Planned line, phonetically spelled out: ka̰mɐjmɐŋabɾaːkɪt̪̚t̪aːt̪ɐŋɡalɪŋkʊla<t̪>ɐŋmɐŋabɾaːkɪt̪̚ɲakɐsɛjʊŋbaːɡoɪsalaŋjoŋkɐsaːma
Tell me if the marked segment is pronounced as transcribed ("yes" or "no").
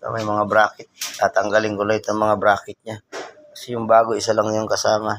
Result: yes